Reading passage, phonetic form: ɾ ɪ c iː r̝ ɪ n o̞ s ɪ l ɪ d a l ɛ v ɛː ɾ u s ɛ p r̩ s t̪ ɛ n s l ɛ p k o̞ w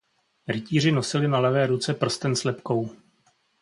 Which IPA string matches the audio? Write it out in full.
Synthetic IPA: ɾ ɪ c iː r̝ ɪ n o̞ s ɪ l ɪ n a l ɛ v ɛː ɾ u t͡s ɛ p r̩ s t̪ ɛ n s l ɛ p k o̞ w

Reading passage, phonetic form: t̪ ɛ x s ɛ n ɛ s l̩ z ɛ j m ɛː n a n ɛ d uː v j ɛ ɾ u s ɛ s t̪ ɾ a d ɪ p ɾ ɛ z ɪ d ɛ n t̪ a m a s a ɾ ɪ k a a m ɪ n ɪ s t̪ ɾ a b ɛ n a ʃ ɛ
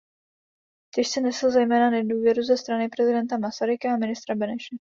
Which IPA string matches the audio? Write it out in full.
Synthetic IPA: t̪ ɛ ʃ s ɛ n ɛ s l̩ z ɛ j m ɛː n a n ɛ d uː v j ɛ ɾ u z ɛ s t̪ ɾ a n ɪ p ɾ ɛ z ɪ d ɛ n t̪ a m a s a ɾ ɪ k a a m ɪ n ɪ s t̪ ɾ a b ɛ n ɛ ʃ ɛ

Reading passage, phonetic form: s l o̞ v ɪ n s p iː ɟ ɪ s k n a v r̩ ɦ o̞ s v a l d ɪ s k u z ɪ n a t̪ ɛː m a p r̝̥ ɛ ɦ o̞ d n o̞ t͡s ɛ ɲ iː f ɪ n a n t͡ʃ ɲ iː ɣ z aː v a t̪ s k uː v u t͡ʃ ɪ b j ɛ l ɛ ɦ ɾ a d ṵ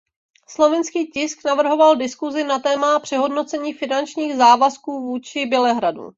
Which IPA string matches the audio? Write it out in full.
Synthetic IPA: s l o̞ v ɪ n s k iː c ɪ s k n a v r̩ ɦ o̞ v a l d ɪ s k u z ɪ n a t̪ ɛː m a p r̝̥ ɛ ɦ o̞ d n o̞ t͡s ɛ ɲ iː f ɪ n a n t͡ʃ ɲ iː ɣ z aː v a s k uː v uː t͡ʃ ɪ b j ɛ l ɛ ɦ ɾ a d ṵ

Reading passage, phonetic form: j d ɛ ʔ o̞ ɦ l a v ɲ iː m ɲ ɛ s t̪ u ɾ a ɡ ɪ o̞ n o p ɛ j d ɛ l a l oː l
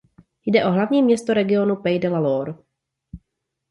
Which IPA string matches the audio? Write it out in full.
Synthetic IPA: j d ɛ ʔ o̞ ɦ l a v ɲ iː m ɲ ɛ s t̪ o ɾ ɛ ɡ ɪ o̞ n u p ɛ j d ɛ l a l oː ɾ

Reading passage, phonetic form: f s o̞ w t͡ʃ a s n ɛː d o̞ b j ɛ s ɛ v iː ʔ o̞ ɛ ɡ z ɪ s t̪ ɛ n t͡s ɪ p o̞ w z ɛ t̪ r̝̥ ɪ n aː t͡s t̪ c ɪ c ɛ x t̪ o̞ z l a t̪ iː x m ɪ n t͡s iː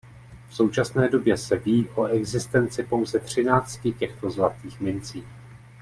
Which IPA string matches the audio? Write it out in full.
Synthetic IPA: f s o̞ w t͡ʃ a s n ɛː d o̞ b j ɛ s ɛ v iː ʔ o̞ ɛ ɡ z ɪ s t̪ ɛ n t͡s ɪ p o̞ w z ɛ t̪ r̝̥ ɪ n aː t͡s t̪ c ɪ c ɛ x t̪ o̞ z l a t̪ iː x m ɪ n t͡s iː

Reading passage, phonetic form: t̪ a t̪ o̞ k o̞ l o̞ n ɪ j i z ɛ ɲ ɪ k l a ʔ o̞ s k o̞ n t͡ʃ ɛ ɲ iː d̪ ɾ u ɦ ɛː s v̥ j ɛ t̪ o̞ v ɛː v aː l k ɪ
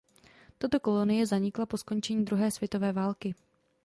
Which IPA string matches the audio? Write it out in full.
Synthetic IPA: t̪ a t̪ o̞ k o̞ l o̞ n ɪ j ɛ z a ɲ ɪ k l a p o̞ s k o̞ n t͡ʃ ɛ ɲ iː d̪ ɾ u ɦ ɛː s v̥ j ɛ t̪ o̞ v ɛː v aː l k ɪ

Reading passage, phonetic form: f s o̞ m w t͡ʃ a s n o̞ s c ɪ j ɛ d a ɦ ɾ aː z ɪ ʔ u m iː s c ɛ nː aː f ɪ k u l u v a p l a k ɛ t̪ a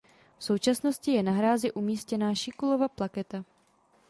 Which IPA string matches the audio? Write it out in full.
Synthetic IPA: f s o̞ w t͡ʃ a s n o̞ s c ɪ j ɛ n a ɦ ɾ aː z ɪ ʔ u m iː s c ɛ n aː ʃ ɪ k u l o v a p l a k ɛ t̪ a

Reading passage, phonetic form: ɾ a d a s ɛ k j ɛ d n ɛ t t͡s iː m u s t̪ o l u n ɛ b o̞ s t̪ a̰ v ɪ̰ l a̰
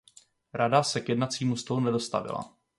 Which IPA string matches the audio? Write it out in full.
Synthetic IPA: ɾ a d a s ɛ k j ɛ d n a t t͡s iː m u s t̪ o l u n ɛ d o̞ s t̪ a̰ v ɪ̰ l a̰

